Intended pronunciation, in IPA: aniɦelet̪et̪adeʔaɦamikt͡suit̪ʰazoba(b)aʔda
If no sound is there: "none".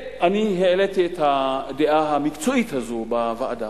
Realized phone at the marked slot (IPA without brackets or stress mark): v